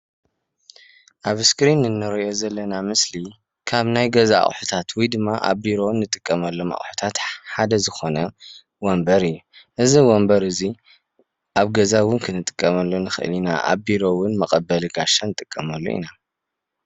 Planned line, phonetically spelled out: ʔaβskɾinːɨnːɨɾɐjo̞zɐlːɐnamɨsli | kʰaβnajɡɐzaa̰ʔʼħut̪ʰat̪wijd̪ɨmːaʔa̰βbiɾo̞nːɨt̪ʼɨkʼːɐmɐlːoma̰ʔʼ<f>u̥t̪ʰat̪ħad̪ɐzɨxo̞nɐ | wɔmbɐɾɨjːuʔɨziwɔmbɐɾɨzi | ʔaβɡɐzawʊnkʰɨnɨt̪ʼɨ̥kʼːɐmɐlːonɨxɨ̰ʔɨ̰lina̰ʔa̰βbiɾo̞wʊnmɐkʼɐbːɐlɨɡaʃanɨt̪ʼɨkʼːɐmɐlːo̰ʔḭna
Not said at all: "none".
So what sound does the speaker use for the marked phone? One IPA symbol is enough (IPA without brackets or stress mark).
ħ